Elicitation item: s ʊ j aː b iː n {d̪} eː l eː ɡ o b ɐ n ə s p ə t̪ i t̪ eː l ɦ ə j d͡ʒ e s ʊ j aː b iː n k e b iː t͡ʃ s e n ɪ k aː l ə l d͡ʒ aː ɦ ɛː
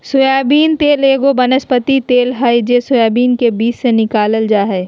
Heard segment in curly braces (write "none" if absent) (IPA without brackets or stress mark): t̪